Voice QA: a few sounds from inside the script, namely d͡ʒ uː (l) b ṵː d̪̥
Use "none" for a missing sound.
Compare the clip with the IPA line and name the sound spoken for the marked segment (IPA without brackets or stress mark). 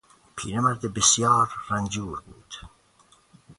ɾ